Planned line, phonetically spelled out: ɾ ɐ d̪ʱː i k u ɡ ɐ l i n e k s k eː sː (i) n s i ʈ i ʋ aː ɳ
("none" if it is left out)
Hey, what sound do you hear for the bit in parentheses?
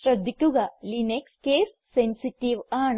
e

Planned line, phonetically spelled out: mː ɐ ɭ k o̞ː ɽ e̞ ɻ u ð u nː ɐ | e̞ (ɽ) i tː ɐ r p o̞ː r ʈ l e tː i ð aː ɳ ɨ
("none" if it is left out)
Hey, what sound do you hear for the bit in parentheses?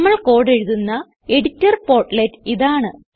ɽ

